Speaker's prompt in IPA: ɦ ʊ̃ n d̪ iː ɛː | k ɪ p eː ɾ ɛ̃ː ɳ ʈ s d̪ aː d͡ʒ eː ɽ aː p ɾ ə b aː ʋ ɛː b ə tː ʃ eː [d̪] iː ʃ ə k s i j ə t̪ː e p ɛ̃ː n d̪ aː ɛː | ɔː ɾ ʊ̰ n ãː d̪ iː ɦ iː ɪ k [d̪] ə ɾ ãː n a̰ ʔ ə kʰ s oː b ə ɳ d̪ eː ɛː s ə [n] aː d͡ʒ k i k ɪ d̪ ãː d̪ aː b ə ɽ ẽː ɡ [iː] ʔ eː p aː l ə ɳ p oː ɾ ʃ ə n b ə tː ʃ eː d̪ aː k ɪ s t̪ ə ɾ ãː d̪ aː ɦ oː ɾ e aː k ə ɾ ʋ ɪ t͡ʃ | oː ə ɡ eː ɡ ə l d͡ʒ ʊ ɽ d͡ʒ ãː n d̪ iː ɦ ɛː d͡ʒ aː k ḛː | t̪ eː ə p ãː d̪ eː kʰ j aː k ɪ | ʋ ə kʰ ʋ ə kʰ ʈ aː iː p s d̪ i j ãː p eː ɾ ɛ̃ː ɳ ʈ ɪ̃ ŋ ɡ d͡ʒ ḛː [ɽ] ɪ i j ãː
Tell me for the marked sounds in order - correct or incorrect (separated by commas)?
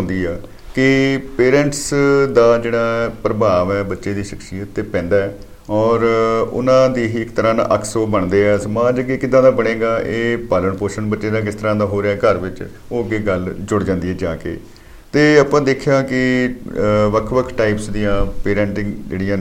correct, incorrect, incorrect, incorrect, correct